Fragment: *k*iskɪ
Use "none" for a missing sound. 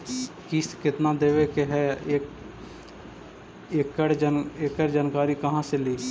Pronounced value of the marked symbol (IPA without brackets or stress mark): k